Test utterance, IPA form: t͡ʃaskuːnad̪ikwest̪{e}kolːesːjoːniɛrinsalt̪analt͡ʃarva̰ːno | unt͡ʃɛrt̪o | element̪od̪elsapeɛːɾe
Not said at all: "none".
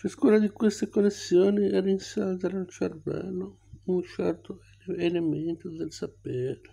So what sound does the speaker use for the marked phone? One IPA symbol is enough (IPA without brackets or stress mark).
e